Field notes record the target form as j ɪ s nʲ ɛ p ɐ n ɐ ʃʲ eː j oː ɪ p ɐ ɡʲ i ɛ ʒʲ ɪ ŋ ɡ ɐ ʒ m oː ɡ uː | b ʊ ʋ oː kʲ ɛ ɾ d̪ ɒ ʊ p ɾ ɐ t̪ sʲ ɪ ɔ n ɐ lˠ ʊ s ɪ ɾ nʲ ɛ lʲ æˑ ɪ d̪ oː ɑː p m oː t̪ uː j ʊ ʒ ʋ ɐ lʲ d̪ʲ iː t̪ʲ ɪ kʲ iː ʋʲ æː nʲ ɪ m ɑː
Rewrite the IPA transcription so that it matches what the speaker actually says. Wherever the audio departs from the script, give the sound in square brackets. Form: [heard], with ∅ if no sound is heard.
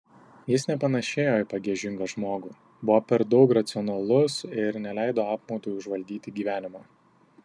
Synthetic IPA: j ɪ s nʲ ɛ p ɐ n ɐ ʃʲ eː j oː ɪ p ɐ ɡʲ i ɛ ʒʲ ɪ ŋ ɡ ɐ ʒ m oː ɡ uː | b ʊ ʋ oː [pʲ] ɛ ɾ d̪ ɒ ʊ [k] ɾ ɐ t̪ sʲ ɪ ɔ n ɐ lˠ ʊ s ɪ ɾ nʲ ɛ lʲ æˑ ɪ d̪ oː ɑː p m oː t̪ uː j ʊ ʒ ʋ ɐ lʲ d̪ʲ iː t̪ʲ ɪ [ɡʲ] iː ʋʲ æː nʲ ɪ m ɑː